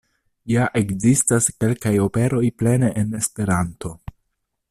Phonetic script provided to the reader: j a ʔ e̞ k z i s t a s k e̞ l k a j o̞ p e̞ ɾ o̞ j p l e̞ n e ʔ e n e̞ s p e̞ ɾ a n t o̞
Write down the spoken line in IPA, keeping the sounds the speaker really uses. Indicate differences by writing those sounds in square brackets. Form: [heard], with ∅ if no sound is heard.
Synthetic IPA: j a ʔ e̞ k z i s t a s k e̞ l k a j o̞ p e̞ ɾ o̞ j p l e̞ n e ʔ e n e̞ s p e̞ ɾ a n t o̞